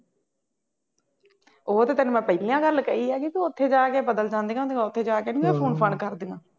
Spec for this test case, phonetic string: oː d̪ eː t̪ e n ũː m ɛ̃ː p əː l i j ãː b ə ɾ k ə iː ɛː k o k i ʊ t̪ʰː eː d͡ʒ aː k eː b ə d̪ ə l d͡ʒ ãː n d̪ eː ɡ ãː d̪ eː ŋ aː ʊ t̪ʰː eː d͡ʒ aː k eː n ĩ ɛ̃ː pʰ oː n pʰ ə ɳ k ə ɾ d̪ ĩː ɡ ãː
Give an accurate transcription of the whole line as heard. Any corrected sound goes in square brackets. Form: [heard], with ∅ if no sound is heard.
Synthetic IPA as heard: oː [t̪] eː t̪ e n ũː m ɛ̃ː p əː l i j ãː [ɡ] ə [l] k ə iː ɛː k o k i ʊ t̪ʰː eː d͡ʒ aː k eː b ə d̪ ə l d͡ʒ ãː n d̪ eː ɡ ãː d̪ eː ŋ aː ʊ t̪ʰː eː d͡ʒ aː k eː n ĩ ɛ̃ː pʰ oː n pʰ ə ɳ k ə ɾ d̪ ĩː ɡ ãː

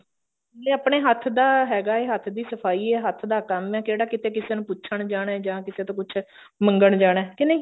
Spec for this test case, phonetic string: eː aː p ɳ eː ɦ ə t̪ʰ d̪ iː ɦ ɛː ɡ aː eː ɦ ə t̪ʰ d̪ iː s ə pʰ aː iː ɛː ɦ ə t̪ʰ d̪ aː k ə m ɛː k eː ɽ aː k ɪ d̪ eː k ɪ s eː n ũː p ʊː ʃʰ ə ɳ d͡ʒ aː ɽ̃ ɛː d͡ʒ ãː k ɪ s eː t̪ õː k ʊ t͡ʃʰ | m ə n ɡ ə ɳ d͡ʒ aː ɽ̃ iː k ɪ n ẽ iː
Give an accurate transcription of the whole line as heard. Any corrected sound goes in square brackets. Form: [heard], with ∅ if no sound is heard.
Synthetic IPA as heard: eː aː p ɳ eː ɦ ə t̪ʰ d̪ [aː] ɦ ɛː ɡ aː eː ɦ ə t̪ʰ d̪ iː s ə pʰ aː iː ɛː ɦ ə t̪ʰ d̪ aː k ə m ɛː k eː ɽ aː k ɪ [t̪] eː k ɪ s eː n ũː p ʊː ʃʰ ə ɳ d͡ʒ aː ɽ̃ ɛː d͡ʒ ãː k ɪ s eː t̪ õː k ʊ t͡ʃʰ | m ə [ŋ] ɡ ə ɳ d͡ʒ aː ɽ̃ [ɛː] k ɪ n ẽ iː

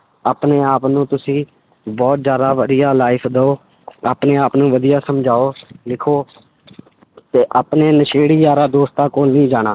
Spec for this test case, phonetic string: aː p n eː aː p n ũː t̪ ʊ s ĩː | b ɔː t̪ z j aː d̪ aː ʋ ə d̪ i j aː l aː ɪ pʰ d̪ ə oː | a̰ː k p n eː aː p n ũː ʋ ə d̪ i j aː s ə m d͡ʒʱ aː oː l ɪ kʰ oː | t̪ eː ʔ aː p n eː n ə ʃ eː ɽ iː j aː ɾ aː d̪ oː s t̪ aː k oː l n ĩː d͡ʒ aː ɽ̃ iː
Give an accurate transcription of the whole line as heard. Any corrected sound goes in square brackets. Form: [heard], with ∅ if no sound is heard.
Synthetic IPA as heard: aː p n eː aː p n ũː t̪ ʊ s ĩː | b ɔː t̪ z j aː d̪ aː ʋ ə d̪ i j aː l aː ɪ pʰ d̪ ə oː | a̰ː [∅] p n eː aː p n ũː ʋ ə d̪ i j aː s ə m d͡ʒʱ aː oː l ɪ kʰ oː | t̪ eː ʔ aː p n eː n ə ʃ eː ɽ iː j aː ɾ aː d̪ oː s t̪ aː k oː l n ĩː d͡ʒ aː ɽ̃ [aː]

